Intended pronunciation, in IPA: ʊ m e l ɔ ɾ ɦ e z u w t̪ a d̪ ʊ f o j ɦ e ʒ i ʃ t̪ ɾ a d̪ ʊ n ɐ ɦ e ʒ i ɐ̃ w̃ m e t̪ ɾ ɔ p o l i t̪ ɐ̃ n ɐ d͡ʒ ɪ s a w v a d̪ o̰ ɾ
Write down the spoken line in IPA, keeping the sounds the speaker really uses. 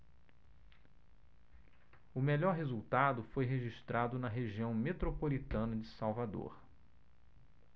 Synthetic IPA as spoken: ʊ m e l ɔ ɾ ɦ e z u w t̪ a d̪ ʊ f o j ɦ e ʒ i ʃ t̪ ɾ a d̪ ʊ n ɐ ɦ e ʒ i ɐ̃ w̃ m e t̪ ɾ o p o l i t̪ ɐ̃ n ɐ d͡ʒ ɪ s a w v a d̪ o̰ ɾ

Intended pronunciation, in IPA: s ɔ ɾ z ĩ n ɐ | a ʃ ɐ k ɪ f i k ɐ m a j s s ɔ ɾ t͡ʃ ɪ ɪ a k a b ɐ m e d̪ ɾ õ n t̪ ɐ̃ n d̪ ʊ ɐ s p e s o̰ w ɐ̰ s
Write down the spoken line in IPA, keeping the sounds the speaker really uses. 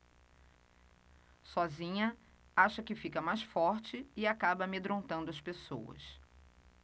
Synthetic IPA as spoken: s ɔ z ĩ ɲ ɐ | a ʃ ɐ k ɪ f i k ɐ m a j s f ɔ ɾ t͡ʃ ɪ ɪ a k a b ɐ m e d̪ ɾ õ n t̪ ɐ̃ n d̪ ʊ ɐ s p e s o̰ w ɐ̰ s

